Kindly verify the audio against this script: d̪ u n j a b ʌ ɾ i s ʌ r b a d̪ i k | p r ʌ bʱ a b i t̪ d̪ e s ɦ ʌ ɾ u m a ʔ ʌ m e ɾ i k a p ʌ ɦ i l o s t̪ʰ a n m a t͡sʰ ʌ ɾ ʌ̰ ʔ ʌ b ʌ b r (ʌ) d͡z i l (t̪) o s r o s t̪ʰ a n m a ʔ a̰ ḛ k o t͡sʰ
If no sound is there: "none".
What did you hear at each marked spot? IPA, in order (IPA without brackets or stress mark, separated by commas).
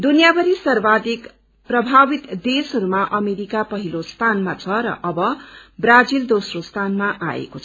a, d̪